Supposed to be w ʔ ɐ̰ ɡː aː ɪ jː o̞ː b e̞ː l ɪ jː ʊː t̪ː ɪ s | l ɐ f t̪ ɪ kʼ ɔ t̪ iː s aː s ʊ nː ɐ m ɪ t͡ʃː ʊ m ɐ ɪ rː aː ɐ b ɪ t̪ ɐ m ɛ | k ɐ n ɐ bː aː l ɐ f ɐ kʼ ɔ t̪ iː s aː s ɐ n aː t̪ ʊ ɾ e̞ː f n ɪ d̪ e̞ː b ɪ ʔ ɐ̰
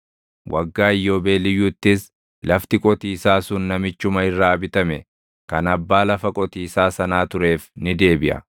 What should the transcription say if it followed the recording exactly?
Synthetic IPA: w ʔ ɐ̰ ɡː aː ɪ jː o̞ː b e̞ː l ɪ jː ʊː t̪ː ɪ s | l ɐ f t̪ ɪ kʼ ɔ t̪ iː s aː s ʊ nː ɐ m ɪ t͡ʃː ʊ m ɐ ɪ rː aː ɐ b ɪ t̪ ɐ m ɛ | k ɐ n ɐ bː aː l ɐ f ɐ kʼ ɔ t̪ iː s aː s ɐ n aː t̪ ʊ ɾ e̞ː f n ɪ d̪ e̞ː b ɪ ʔ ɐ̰